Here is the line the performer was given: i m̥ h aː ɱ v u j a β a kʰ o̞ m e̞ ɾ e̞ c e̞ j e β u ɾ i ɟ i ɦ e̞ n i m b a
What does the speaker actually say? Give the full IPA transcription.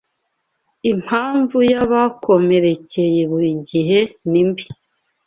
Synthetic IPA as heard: i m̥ h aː ɱ v u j a β a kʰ o̞ m e̞ ɾ e̞ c e̞ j e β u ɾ i ɟ i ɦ e̞ n i m b i